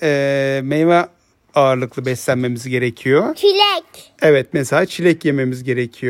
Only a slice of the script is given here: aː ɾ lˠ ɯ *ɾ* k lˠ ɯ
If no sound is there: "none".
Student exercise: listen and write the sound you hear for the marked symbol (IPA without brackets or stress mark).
none